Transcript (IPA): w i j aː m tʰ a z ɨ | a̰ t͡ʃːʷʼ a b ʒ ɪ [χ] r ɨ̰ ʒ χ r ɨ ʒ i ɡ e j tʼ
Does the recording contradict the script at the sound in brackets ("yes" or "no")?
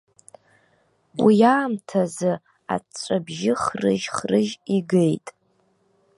no